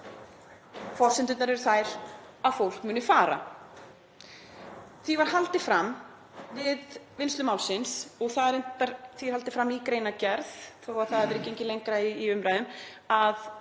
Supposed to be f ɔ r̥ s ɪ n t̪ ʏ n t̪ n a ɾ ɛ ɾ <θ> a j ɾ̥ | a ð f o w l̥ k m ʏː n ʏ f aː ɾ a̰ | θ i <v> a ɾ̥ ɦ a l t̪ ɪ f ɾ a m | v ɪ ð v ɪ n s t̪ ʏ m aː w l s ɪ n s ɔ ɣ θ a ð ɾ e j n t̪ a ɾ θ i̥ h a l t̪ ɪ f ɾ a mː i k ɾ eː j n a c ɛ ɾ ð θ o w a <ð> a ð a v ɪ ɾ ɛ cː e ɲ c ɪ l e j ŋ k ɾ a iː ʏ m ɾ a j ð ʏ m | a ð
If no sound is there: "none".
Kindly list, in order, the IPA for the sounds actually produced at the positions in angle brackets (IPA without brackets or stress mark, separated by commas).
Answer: θ, v, θ